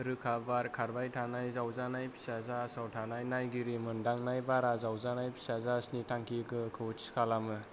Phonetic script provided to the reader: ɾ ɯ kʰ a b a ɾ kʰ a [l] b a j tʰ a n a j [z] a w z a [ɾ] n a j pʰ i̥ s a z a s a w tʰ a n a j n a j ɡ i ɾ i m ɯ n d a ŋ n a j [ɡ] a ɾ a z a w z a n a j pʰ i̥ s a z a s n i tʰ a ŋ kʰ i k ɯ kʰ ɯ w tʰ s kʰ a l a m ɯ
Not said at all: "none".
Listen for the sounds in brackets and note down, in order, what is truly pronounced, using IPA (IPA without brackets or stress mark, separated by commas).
ɾ, z, none, b